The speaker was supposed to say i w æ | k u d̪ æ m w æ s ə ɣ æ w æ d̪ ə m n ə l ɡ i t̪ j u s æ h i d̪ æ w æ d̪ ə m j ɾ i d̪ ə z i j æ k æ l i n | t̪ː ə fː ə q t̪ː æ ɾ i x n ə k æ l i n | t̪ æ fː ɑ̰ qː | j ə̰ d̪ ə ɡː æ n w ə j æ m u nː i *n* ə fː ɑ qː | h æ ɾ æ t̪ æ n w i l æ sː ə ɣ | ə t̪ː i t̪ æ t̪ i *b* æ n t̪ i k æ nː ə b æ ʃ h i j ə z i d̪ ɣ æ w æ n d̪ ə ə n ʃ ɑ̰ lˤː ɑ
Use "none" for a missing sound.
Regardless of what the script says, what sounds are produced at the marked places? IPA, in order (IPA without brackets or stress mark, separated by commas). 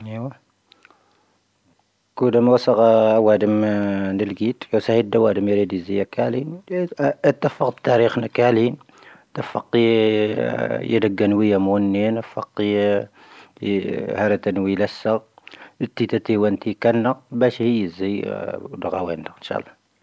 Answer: n, w